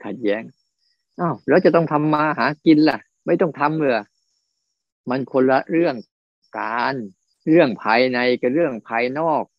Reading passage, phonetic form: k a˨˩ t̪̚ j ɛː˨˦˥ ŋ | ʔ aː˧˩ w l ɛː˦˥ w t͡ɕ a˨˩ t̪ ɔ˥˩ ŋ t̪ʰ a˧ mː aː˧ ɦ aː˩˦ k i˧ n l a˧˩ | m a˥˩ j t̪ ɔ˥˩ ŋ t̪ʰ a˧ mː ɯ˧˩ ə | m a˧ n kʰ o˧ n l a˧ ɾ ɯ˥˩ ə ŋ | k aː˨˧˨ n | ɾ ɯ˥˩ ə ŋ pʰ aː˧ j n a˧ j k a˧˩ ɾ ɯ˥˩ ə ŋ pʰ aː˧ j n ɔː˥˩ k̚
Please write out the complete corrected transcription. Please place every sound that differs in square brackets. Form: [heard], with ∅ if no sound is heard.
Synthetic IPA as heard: [kʰ] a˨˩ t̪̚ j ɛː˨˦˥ ŋ | ʔ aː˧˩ w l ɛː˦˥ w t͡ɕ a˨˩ t̪ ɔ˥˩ ŋ t̪ʰ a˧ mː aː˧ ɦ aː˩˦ k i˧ n l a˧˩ | m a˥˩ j t̪ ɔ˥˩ ŋ t̪ʰ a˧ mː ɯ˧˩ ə | m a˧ n kʰ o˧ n l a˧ ɾ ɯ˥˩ ə ŋ | k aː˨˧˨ n | ɾ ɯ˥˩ ə ŋ pʰ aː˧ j n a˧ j k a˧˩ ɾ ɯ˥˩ ə ŋ pʰ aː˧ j n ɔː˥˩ k̚